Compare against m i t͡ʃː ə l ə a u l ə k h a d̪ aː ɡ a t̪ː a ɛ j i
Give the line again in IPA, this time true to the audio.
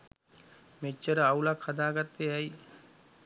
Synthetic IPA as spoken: m e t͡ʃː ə ɾ ə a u l a k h a d̪ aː ɡ a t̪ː e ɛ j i